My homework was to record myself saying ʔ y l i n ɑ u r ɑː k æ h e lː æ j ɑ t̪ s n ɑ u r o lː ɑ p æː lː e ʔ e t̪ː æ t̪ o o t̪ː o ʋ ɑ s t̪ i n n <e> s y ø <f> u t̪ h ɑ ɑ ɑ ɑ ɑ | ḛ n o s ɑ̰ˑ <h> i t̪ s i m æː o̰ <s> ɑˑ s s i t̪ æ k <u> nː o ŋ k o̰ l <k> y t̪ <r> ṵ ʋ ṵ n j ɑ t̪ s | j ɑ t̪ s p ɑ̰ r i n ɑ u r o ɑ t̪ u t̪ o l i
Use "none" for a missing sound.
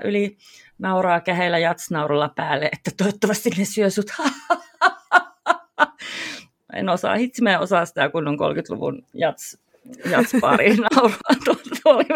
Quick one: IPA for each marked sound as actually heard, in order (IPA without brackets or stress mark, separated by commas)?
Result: e, s, h, s, u, k, l